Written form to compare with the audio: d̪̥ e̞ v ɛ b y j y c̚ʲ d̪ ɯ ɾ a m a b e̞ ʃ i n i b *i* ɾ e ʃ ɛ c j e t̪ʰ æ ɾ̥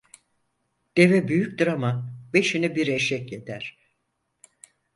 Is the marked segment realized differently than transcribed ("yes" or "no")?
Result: no